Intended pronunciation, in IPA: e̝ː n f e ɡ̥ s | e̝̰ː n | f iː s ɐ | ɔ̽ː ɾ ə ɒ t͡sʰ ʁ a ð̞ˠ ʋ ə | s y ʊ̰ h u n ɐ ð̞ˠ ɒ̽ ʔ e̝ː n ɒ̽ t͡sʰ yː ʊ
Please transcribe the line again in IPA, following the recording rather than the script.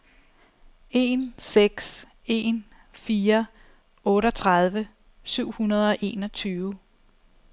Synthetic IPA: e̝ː n s e ɡ̥ s | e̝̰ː n | f iː ɐ | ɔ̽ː ɾ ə ɒ t͡sʰ ʁ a ð̞ˠ ʋ ə | s y ʊ̰ h u n ɐ ð̞ˠ ɒ̽ ʔ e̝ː n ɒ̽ t͡sʰ yː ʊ